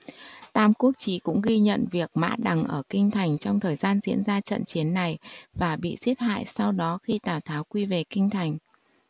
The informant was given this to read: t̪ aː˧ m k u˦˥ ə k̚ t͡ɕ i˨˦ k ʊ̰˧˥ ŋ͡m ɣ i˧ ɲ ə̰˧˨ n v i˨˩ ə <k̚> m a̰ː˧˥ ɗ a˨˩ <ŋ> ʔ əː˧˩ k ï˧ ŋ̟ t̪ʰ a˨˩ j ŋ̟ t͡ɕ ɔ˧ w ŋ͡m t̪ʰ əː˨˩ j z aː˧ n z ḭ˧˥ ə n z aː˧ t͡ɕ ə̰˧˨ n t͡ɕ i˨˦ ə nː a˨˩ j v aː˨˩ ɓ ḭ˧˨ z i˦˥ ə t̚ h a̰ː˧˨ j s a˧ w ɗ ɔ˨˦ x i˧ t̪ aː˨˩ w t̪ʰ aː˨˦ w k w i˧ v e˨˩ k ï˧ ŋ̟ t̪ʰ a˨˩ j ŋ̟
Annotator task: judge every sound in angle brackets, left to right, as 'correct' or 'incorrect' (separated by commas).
correct, correct